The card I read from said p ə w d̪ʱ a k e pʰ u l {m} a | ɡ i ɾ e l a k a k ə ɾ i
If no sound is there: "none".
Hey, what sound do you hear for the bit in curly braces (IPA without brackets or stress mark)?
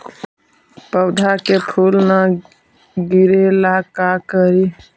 n